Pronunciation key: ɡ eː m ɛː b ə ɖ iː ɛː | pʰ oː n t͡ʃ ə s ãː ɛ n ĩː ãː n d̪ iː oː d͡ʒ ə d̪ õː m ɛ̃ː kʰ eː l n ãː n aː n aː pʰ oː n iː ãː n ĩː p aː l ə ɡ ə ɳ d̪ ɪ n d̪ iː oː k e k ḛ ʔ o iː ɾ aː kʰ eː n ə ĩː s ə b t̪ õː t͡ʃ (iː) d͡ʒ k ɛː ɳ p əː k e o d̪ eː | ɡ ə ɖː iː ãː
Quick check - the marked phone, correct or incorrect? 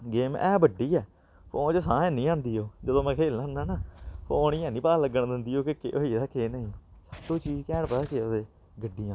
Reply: correct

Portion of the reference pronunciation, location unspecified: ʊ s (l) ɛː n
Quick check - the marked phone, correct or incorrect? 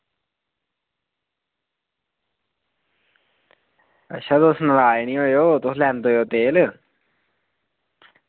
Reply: correct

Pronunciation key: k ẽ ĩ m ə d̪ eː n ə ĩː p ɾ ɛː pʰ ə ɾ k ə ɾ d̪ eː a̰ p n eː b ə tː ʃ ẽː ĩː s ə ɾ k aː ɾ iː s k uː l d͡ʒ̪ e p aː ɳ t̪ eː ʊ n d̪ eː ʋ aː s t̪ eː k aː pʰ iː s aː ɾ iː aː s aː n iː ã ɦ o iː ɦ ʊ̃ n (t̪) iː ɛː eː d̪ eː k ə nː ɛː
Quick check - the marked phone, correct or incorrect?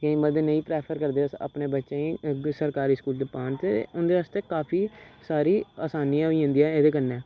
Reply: incorrect: d̪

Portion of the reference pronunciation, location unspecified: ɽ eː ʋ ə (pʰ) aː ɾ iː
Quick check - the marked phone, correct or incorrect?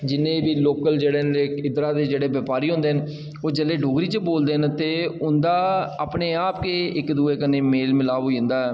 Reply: incorrect: p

